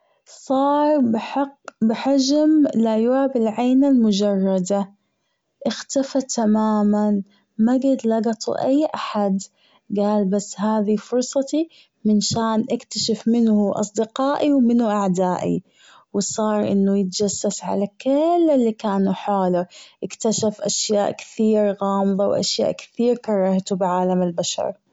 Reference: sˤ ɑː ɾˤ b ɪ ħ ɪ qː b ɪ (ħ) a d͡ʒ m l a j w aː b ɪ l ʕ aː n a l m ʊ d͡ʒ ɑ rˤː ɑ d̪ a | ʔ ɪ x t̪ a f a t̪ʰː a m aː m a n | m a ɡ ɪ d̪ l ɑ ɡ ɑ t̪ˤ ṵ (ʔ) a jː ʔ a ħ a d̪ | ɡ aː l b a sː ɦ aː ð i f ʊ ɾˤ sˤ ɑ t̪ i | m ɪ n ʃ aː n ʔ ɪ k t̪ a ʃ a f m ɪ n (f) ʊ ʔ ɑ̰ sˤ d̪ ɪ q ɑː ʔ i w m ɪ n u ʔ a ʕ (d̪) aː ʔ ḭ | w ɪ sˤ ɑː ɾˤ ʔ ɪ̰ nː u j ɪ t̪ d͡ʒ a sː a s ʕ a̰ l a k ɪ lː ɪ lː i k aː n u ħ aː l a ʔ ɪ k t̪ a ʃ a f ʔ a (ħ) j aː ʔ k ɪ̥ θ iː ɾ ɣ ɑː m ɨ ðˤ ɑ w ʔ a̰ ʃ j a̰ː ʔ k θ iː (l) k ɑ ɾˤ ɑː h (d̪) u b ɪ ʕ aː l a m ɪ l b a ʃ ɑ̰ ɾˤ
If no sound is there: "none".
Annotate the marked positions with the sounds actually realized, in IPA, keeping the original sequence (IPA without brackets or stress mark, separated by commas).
ħ, ʔ, h, d̪, ʃ, ɾ, t̪